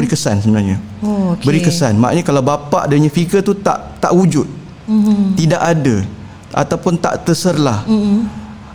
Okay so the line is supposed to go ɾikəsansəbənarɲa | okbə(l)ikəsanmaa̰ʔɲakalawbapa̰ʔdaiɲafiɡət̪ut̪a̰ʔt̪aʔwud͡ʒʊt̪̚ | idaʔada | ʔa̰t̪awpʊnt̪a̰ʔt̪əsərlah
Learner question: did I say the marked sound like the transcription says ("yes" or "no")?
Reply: no